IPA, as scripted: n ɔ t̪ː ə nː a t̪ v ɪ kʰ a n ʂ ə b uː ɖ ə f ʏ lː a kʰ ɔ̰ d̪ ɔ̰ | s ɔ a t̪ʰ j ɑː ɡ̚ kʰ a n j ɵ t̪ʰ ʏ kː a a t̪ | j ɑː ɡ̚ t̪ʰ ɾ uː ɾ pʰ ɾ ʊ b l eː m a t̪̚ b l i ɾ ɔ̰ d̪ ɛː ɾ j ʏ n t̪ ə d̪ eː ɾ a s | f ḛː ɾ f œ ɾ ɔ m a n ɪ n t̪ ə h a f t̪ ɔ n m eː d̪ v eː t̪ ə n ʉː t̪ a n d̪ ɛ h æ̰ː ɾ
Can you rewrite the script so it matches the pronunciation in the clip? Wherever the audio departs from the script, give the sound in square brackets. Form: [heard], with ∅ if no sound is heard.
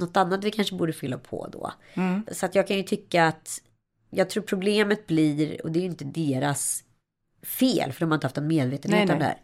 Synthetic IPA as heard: n ɔ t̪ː [a] nː a t̪ v ɪ kʰ a n ʂ ə b uː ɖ ə f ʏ lː a [pʰ] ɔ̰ d̪ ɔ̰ | s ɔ a [t̪] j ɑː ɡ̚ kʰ a n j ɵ t̪ʰ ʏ kː a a t̪ | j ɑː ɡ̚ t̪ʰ ɾ uː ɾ pʰ ɾ ʊ b l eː m [ə] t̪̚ b l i ɾ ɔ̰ d̪ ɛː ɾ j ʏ n t̪ ə d̪ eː ɾ a s | f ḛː [l] f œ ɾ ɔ m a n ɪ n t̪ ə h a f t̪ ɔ n m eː d̪ v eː t̪ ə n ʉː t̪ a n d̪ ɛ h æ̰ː ɾ